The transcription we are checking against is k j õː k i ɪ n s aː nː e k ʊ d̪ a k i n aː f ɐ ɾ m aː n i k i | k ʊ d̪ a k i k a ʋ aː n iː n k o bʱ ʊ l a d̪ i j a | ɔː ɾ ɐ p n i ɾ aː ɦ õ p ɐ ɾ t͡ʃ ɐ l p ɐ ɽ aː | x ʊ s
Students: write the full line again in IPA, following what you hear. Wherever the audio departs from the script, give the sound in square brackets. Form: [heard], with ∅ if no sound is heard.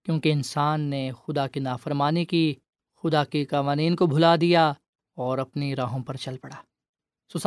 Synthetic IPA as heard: k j õː k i ɪ n s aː nː e [x] ʊ d̪ a k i n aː f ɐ ɾ m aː n i k i | [x] ʊ d̪ a k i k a ʋ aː n iː n k o bʱ ʊ l a d̪ i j a | ɔː ɾ ɐ p n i ɾ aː ɦ õ p ɐ ɾ t͡ʃ ɐ l p ɐ ɽ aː | [s] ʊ s